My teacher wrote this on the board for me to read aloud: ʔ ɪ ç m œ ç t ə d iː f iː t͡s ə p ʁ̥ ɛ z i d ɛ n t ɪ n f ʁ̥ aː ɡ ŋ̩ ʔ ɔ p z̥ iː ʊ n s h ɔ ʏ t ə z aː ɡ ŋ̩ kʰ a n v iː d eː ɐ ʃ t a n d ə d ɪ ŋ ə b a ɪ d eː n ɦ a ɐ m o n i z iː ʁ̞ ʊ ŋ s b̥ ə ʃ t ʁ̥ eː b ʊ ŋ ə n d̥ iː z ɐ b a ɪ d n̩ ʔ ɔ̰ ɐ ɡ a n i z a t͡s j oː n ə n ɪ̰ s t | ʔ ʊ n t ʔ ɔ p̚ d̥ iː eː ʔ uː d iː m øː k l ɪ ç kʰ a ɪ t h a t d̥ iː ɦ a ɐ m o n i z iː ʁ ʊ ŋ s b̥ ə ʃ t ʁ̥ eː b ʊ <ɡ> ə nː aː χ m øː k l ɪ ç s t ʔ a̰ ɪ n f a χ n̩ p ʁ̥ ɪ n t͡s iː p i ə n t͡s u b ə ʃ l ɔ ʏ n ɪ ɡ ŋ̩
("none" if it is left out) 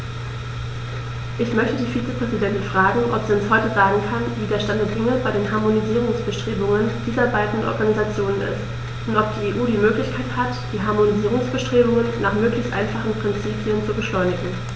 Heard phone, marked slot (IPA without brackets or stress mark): ŋ